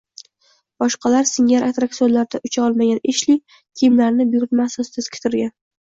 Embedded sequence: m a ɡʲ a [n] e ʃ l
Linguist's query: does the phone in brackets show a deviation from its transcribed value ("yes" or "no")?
no